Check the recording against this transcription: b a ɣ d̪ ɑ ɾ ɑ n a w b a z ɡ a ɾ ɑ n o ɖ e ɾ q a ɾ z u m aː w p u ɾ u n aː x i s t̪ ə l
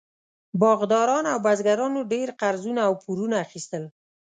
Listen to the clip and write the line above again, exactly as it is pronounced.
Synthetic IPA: b ɑ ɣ d̪ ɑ ɾ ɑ n a w b a z ɡ a ɾ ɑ n o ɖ e ɾ q a ɾ z u n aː w p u ɾ u n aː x i s t̪ ə l